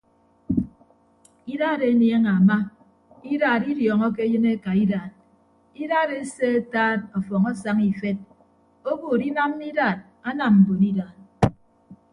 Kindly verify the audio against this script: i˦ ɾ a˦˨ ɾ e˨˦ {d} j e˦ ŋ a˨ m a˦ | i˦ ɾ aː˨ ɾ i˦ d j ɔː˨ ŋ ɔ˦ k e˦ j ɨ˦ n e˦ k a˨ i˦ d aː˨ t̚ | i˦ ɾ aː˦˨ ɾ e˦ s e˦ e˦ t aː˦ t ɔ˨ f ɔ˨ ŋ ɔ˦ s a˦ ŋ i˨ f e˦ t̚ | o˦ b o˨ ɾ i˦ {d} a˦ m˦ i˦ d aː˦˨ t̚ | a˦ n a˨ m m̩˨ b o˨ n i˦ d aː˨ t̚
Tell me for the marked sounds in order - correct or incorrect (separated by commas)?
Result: incorrect, incorrect